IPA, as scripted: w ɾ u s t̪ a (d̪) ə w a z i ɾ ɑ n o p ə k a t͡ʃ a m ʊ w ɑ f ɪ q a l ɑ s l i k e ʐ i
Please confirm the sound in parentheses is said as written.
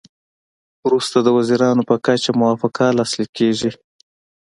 yes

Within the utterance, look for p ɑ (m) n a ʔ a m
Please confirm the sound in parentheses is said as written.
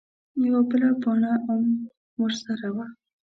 no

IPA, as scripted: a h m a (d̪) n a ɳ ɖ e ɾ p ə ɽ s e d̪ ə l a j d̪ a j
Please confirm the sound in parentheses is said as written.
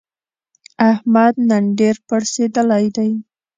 yes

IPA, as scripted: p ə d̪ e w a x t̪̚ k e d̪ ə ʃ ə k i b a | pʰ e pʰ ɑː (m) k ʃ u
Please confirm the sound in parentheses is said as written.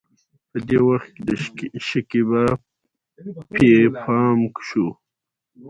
yes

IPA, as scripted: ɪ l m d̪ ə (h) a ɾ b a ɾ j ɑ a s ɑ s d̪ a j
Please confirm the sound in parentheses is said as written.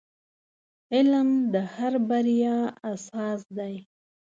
yes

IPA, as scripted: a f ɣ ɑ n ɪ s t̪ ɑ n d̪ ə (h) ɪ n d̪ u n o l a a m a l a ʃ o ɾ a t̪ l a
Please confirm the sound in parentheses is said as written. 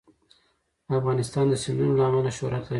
no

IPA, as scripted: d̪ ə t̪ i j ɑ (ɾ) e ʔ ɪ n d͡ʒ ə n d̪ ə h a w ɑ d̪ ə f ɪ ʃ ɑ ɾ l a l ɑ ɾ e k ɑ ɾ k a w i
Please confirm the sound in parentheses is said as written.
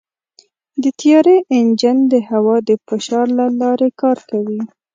yes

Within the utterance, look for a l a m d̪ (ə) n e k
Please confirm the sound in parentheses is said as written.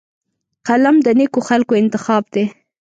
yes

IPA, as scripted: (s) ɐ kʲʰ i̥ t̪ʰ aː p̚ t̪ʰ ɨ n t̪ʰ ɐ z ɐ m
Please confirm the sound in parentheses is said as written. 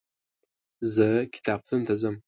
no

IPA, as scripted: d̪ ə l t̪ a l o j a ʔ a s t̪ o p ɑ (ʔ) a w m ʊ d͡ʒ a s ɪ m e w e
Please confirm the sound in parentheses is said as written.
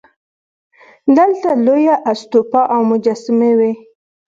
yes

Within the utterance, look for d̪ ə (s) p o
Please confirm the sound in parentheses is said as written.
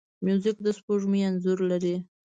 yes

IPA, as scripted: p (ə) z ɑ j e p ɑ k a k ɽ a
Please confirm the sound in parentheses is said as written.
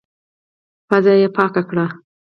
no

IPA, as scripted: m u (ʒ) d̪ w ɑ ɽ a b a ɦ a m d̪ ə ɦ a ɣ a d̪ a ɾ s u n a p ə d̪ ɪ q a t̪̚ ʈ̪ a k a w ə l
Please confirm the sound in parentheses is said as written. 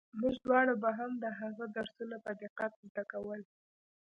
yes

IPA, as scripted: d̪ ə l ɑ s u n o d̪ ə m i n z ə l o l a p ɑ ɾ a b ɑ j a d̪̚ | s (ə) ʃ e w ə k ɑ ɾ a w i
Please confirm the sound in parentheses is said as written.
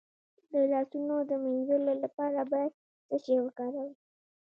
yes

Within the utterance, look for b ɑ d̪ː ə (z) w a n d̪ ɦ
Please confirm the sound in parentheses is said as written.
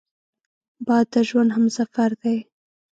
no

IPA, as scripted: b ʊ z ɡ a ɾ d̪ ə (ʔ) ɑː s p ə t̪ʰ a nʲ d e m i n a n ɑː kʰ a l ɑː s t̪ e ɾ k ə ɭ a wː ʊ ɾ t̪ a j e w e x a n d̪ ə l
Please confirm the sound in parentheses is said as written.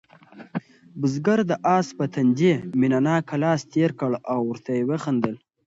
yes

